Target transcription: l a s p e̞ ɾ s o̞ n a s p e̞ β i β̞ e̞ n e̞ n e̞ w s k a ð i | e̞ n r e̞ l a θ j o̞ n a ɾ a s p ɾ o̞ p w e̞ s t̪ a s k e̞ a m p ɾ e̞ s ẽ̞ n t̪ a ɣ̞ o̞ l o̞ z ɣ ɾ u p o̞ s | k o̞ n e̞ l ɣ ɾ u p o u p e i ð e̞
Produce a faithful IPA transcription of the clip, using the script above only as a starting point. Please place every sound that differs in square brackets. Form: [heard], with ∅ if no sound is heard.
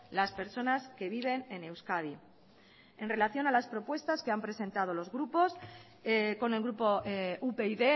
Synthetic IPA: l a s p e̞ ɾ s o̞ n a s [k] e̞ β i β̞ e̞ n e̞ n e̞ w s k a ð i | e̞ n r e̞ l a θ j o̞ n a [l] a s p ɾ o̞ p w e̞ s t̪ a s k e̞ a m p ɾ e̞ s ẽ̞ n t̪ a [ð̞] o̞ l o̞ z ɣ ɾ u p o̞ s | k o̞ n e̞ l ɣ ɾ u p o u p e i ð e̞